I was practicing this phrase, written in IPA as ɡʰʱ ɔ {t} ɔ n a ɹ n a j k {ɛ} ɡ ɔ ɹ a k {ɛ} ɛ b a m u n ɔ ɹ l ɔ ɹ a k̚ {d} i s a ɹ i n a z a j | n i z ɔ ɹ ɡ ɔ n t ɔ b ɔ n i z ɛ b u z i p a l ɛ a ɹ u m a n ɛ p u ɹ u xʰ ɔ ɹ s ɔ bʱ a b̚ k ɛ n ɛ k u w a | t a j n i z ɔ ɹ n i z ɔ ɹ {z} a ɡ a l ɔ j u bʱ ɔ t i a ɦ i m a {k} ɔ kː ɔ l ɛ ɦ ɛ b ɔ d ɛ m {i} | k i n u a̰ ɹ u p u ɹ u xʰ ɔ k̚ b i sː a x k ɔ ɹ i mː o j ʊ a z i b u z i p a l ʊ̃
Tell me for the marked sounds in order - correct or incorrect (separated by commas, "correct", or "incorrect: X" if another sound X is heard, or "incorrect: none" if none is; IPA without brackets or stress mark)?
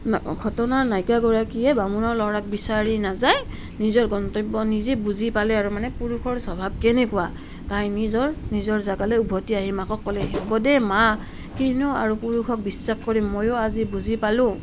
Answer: correct, incorrect: a, incorrect: i, incorrect: b, correct, correct, incorrect: a